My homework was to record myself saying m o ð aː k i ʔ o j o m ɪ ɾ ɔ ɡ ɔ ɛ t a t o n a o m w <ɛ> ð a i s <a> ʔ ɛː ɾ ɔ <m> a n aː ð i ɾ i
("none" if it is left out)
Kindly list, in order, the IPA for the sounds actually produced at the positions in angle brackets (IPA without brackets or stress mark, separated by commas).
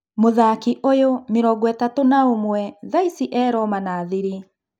ɛ, i, m